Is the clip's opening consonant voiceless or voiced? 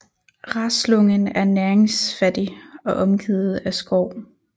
voiced